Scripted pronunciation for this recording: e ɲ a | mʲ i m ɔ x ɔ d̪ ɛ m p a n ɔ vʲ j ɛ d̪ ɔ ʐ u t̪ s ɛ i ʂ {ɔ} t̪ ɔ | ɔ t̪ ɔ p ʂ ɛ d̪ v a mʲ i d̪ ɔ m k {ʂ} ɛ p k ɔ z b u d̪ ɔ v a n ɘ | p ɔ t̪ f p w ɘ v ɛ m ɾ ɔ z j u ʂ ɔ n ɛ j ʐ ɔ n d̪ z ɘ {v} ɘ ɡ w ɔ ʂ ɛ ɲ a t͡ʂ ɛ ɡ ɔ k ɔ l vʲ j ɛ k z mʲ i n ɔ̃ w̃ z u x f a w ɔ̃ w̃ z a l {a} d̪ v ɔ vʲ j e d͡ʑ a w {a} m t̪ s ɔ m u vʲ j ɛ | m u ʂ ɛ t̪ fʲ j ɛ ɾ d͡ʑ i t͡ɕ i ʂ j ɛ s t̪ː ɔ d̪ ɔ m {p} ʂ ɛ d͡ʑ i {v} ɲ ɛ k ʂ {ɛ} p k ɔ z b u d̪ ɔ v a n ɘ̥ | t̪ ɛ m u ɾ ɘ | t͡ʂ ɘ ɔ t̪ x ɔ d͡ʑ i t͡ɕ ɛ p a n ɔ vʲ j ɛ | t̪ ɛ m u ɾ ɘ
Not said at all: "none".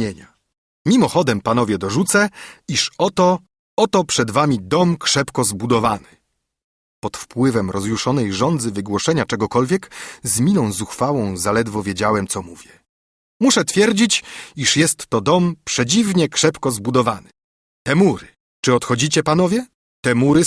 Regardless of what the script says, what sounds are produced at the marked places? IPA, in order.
ɔ, ʂ, v, ɛ, ɛ, p, v, ɛ

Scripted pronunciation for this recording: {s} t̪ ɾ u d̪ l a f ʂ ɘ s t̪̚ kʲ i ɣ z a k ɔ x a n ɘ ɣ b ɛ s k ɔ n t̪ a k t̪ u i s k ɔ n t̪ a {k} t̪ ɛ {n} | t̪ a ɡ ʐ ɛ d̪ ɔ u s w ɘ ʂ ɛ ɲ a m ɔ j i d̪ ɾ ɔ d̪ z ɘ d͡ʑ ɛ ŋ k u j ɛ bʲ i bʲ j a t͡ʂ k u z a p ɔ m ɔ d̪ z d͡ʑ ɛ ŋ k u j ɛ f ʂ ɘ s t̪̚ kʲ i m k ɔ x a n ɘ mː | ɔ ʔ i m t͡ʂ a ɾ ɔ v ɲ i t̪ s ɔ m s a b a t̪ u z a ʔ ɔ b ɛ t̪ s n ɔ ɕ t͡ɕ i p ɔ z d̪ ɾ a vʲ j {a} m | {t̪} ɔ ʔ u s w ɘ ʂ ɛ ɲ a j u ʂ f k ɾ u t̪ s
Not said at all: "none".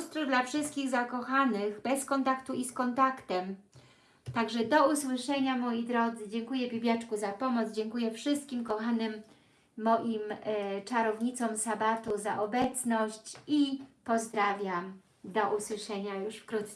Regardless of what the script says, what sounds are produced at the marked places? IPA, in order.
s, k, m, a, d̪

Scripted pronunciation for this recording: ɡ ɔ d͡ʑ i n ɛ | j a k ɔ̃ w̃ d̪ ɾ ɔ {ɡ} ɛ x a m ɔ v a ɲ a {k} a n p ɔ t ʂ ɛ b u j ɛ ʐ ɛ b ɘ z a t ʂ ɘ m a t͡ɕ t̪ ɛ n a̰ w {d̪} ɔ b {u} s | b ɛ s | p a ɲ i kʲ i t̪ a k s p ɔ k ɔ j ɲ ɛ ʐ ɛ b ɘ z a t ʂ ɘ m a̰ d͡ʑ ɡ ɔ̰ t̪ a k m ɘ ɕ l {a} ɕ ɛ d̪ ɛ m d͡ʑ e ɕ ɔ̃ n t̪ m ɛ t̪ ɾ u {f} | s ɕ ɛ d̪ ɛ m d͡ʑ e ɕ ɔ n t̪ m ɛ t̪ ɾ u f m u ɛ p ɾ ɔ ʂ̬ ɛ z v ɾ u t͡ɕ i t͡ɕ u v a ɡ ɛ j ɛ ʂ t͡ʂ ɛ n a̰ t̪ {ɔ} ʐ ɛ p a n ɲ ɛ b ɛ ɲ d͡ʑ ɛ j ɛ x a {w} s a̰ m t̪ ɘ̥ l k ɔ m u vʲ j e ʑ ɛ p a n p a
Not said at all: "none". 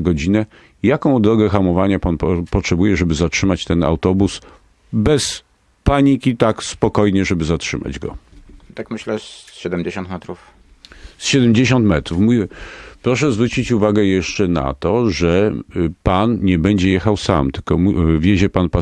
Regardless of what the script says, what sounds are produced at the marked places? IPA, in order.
ɡ, p, t̪, u, ɛ, f, ɔ, w

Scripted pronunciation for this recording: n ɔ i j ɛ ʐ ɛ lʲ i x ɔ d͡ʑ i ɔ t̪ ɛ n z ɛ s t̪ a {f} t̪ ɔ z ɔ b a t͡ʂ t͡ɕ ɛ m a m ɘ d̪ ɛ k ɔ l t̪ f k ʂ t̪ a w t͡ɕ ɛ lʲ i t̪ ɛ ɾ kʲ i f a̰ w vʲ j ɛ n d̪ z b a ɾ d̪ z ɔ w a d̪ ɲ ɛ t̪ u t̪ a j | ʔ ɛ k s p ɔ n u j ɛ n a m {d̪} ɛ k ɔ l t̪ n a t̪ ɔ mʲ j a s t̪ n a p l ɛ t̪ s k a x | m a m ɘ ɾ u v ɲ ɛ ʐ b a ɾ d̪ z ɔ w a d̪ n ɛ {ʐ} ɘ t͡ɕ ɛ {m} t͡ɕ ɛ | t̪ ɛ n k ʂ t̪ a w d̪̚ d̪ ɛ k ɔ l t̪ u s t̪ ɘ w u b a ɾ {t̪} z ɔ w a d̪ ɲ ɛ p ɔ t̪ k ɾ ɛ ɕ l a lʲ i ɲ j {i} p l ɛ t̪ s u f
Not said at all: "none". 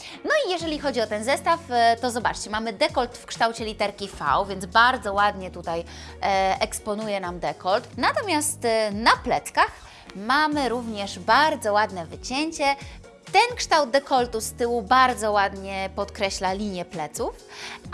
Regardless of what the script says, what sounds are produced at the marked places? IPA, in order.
f, d̪, v, ɲ, d̪, ɛ

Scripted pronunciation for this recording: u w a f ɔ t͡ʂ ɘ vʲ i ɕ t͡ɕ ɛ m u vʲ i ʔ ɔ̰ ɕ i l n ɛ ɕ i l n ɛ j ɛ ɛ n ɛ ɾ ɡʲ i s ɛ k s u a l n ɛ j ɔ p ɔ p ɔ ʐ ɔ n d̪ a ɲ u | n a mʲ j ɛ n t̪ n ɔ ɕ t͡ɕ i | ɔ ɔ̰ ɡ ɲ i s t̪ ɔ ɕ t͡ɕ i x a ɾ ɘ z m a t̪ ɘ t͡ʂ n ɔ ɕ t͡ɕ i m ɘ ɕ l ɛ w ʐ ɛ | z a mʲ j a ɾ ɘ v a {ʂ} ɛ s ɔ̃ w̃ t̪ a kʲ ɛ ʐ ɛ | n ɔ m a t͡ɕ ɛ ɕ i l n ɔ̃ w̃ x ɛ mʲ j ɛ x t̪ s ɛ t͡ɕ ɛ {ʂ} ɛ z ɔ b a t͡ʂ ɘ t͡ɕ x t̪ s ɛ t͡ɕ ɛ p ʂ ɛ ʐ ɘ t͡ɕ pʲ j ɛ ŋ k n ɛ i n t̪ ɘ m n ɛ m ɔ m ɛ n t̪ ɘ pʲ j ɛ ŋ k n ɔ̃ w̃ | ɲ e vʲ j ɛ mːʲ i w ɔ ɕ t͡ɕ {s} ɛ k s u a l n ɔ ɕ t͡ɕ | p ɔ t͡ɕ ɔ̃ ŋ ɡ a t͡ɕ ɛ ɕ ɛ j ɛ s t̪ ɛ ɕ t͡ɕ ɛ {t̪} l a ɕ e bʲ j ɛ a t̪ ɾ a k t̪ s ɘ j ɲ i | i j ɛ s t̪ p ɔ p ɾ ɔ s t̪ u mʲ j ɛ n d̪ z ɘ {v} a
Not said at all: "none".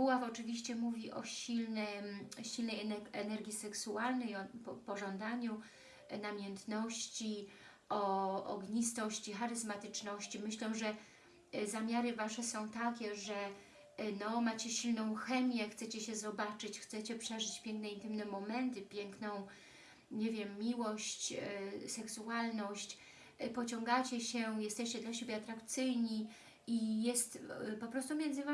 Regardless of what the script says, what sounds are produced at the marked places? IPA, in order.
ʂ, ɕ, s, d̪, v

